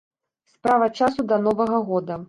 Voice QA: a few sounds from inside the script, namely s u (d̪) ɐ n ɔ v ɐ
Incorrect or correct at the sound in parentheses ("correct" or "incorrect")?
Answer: correct